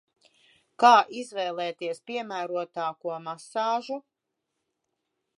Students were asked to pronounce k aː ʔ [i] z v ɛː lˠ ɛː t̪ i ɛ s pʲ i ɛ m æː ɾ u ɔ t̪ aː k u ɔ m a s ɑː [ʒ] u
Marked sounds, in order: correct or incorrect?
correct, correct

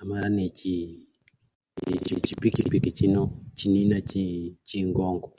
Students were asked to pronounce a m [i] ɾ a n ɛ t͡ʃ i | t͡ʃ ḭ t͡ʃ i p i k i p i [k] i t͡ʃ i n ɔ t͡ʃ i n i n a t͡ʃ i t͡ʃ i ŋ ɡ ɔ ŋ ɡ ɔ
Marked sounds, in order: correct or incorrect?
incorrect: a, correct

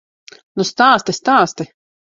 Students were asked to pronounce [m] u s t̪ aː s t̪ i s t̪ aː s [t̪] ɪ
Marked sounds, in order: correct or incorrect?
incorrect: n, correct

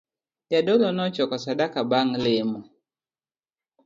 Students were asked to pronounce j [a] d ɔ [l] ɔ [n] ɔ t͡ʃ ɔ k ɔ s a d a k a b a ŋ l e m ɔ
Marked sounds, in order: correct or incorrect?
correct, correct, correct

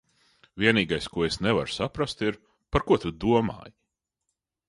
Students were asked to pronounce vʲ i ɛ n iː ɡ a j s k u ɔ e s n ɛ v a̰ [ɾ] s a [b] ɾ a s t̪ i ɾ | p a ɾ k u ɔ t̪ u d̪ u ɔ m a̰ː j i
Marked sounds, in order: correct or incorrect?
correct, incorrect: p

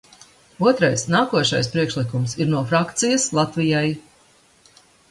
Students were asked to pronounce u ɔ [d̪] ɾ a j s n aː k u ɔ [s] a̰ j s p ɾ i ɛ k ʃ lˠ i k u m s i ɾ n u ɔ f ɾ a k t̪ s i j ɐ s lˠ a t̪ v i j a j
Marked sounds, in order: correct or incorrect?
incorrect: t̪, incorrect: ʃ

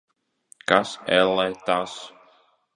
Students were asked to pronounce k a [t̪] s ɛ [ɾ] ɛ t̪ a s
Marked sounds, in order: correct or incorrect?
incorrect: none, incorrect: l

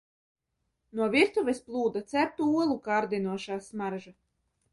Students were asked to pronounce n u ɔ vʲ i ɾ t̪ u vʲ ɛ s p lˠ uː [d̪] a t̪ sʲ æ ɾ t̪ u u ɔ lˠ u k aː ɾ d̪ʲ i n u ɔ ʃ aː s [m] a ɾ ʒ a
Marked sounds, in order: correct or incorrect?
correct, correct

